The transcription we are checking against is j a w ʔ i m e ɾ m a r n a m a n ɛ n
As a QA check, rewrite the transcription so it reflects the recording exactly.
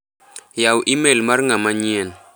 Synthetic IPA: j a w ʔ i m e l m a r ŋ a m a ɲ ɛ n